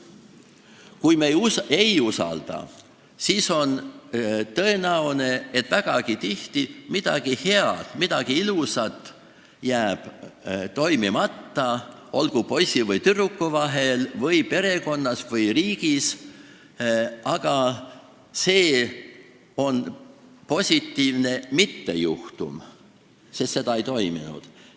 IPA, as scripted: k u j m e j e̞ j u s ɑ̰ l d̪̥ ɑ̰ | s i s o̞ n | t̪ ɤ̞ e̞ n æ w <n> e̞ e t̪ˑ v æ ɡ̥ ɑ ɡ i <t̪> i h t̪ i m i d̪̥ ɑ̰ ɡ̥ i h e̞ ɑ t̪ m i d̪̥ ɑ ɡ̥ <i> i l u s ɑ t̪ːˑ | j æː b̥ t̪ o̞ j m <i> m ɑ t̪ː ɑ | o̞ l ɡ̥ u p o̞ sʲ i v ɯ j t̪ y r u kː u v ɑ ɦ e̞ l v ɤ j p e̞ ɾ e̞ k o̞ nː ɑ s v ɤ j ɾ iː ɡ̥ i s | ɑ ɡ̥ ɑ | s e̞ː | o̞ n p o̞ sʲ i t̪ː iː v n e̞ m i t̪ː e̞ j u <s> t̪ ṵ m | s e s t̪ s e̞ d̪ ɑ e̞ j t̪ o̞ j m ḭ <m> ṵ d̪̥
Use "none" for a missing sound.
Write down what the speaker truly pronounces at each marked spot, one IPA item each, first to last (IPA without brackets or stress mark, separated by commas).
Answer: n, t̪, i, i, h, n